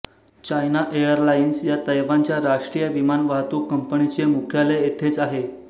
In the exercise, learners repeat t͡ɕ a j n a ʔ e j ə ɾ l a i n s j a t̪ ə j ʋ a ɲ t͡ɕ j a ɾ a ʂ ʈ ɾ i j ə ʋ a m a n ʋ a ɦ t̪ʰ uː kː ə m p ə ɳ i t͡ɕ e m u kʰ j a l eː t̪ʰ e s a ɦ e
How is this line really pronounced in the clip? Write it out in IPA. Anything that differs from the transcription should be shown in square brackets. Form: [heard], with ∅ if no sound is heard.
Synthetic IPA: t͡ɕ a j n a ʔ e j ə ɾ l a i n s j a t̪ ə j ʋ a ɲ t͡ɕ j a ɾ a ʂ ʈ ɾ i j ə ʋ [i] m a n ʋ a ɦ [t̪] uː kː ə m p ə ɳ i t͡ɕ e m u kʰ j a l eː t̪ʰ e [t͡s] a ɦ e